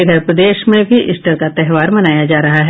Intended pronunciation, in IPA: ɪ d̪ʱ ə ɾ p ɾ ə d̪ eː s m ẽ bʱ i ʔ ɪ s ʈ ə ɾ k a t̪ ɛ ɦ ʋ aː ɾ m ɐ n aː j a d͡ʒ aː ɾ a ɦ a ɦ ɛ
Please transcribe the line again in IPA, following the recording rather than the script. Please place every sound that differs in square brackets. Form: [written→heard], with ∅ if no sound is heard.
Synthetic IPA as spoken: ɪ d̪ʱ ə ɾ p ɾ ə d̪ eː [s→ʃ] m ẽ bʱ i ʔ ɪ s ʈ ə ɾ k a t̪ ɛ ɦ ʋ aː ɾ m ɐ n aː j a d͡ʒ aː ɾ [a→ɐ] ɦ a ɦ ɛ